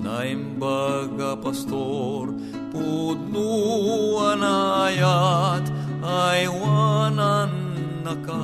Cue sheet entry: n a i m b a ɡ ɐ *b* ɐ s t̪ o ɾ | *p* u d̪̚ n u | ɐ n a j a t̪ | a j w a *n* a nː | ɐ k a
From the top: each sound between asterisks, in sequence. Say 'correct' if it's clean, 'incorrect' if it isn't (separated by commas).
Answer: incorrect, correct, correct